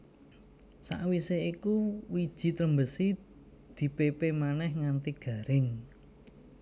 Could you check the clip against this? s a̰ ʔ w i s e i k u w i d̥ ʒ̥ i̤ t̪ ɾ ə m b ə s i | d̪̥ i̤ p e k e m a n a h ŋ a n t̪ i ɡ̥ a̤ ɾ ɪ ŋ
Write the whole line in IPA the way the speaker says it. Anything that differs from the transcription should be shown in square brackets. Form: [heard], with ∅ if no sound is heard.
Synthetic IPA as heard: s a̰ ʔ w i s e i k u w i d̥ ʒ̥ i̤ t̪ ɾ ə m b ə s i | d̪̥ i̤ p e [p] e m a n [ɛ] h ŋ a n t̪ i ɡ̥ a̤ ɾ ɪ ŋ